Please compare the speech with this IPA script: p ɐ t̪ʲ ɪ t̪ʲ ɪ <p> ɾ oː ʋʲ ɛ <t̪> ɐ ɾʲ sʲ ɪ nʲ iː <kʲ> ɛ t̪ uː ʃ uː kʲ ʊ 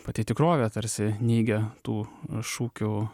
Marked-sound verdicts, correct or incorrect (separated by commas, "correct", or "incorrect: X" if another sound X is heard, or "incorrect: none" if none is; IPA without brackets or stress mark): incorrect: k, correct, incorrect: ɡʲ